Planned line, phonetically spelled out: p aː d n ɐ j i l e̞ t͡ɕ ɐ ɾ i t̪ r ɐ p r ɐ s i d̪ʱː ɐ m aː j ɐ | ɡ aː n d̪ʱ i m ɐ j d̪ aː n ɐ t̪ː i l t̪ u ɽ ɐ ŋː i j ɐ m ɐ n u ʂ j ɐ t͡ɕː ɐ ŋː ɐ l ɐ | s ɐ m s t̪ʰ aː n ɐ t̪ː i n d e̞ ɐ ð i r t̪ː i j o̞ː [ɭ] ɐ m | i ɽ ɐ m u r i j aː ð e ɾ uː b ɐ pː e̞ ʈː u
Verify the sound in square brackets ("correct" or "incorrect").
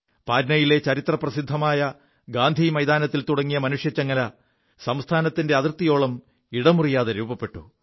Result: correct